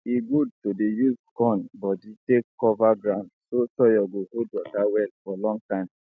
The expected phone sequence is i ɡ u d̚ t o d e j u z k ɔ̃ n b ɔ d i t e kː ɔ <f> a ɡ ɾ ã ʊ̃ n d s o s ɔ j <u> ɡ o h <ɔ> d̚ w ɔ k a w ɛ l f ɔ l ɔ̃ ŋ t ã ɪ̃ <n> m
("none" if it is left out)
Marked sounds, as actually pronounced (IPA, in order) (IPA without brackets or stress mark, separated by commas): v, ɔ, o, none